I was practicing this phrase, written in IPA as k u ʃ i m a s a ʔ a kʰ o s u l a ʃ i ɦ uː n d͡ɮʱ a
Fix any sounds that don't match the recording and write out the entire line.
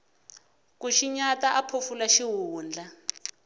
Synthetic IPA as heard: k u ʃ i ɲ a t a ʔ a pʰ o f u l a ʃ i ɦ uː n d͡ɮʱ a